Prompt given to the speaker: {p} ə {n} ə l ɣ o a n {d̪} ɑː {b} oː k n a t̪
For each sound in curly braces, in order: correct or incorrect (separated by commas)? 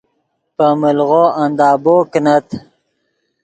correct, incorrect, correct, correct